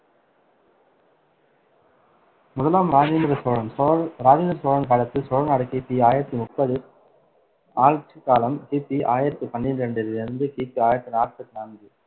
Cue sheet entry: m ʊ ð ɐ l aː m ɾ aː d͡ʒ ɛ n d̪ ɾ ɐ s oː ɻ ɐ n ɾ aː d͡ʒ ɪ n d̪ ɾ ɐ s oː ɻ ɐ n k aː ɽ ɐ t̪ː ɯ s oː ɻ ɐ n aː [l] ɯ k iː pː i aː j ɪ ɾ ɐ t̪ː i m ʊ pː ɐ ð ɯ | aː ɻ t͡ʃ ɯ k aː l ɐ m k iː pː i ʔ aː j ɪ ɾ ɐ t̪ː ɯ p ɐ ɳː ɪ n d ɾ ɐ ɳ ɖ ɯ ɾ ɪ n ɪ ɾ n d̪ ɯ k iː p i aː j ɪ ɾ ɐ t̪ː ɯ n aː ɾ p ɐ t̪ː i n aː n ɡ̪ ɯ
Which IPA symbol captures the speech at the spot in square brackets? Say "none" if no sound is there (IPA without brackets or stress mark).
ɽ